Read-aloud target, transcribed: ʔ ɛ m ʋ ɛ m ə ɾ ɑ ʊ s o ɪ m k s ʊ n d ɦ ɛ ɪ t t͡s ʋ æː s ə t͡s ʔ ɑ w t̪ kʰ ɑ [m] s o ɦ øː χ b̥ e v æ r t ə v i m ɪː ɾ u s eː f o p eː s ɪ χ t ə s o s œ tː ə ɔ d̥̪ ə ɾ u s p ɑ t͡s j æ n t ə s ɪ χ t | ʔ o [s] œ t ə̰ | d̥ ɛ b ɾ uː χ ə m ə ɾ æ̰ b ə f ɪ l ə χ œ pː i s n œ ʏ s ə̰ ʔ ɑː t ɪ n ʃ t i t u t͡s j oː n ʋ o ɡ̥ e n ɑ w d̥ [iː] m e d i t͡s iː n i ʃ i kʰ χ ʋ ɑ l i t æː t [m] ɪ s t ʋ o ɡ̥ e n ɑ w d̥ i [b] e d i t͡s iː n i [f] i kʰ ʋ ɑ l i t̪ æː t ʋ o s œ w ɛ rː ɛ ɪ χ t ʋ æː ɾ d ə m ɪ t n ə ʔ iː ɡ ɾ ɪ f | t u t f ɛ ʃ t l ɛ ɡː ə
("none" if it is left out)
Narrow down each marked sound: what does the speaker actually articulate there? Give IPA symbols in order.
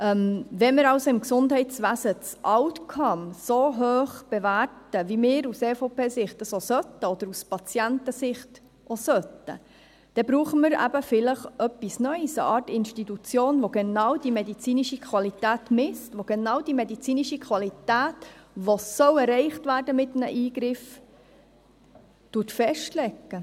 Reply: m, s, i, m, m, ʃ

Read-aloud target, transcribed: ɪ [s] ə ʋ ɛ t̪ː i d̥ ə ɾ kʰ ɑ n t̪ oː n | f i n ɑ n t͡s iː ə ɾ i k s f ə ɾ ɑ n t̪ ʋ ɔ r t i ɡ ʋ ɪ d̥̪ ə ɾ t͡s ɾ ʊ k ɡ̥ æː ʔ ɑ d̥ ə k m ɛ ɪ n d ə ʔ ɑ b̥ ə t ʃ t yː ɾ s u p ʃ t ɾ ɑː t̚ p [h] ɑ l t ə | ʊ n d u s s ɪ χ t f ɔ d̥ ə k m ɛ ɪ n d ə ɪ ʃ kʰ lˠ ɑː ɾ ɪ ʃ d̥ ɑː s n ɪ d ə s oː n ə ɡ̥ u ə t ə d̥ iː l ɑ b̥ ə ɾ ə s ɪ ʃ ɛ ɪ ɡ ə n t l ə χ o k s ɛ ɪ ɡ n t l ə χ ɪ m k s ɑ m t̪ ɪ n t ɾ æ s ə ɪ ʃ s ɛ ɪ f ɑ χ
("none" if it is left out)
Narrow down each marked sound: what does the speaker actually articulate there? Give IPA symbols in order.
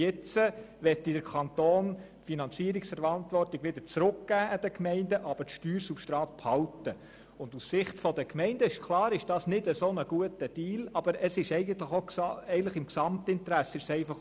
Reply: t͡s, h

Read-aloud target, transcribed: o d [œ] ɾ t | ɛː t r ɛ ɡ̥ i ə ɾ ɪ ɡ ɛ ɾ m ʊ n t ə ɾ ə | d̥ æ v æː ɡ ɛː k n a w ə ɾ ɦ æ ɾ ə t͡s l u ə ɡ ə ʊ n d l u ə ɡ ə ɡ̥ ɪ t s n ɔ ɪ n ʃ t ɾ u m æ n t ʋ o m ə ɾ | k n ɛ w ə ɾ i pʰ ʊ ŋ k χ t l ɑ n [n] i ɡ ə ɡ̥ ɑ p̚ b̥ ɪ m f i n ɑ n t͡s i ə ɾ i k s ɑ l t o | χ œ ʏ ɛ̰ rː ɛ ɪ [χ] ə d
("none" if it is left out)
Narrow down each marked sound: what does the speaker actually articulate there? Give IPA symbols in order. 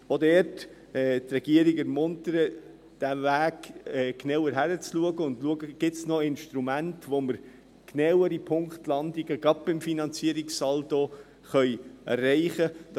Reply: ɛ, d, χ

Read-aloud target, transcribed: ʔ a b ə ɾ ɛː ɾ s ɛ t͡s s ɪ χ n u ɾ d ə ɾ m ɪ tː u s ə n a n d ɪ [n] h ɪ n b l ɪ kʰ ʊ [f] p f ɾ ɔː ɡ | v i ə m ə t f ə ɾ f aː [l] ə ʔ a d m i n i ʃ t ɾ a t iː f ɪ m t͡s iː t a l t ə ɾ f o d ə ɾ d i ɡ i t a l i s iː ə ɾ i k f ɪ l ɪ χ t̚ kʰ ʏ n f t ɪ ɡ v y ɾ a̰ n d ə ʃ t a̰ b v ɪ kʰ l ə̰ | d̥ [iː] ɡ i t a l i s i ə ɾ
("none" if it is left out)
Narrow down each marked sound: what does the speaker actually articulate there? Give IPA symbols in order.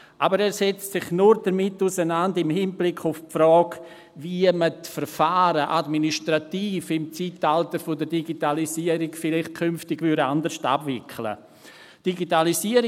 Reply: m, f, ɾ, i

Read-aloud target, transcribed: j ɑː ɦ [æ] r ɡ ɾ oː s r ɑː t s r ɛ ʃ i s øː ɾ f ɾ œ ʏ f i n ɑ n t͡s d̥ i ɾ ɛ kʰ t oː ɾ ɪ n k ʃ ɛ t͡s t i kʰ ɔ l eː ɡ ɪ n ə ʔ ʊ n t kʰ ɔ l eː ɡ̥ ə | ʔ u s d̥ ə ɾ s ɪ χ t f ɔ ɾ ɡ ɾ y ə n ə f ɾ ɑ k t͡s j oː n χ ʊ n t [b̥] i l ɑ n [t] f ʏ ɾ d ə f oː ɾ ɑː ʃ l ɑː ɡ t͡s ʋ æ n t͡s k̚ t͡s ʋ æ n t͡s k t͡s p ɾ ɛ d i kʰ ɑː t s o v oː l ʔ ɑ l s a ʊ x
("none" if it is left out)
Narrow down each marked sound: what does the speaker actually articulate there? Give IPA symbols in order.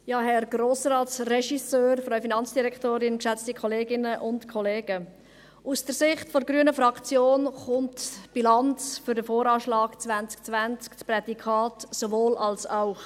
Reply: ɛ, b̥, t͡s

